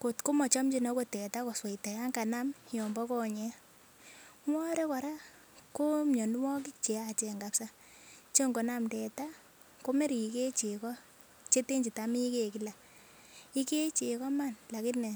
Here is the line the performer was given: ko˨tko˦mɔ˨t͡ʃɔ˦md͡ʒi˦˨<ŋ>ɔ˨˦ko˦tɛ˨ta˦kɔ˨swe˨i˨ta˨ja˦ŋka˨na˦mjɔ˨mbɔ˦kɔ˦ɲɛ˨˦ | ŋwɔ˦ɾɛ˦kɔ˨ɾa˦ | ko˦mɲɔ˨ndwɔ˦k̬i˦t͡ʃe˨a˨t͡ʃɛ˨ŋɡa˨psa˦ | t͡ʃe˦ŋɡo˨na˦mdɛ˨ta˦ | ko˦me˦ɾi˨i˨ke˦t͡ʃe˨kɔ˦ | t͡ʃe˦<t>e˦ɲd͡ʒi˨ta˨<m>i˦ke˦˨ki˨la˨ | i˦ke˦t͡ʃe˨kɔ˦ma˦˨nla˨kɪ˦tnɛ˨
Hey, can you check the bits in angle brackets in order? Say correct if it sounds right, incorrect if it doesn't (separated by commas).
incorrect, correct, correct